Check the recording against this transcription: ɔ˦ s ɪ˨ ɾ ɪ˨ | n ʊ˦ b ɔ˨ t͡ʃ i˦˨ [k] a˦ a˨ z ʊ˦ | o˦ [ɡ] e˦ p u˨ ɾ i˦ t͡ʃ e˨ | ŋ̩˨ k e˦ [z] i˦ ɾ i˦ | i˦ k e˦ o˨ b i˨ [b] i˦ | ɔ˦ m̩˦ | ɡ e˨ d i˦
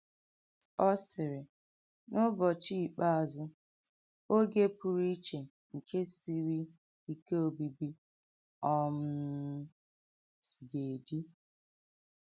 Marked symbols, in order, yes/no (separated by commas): no, yes, no, yes